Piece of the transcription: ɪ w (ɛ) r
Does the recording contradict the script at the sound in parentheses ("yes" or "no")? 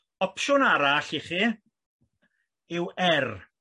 no